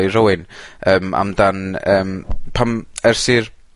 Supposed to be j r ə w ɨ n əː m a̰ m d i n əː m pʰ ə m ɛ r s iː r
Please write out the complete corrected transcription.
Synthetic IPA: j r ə w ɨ n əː m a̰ m d a n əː m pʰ a m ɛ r s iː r